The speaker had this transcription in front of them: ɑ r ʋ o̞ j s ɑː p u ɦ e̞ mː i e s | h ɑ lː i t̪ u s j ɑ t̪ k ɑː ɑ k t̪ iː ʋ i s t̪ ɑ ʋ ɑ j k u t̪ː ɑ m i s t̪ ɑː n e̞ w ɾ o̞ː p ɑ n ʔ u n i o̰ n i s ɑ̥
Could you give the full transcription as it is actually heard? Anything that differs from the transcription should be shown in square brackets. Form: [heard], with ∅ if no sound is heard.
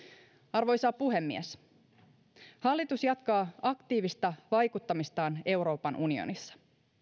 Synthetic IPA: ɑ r ʋ o̞ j s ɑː p u ɦ e̞ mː i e s | h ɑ lː i t̪ u s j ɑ t̪ k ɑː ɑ k t̪ iː ʋ i s t̪ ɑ ʋ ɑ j k u t̪ː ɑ m i s t̪ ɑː n e̞ w ɾ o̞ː p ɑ n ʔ u n i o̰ n i [sː] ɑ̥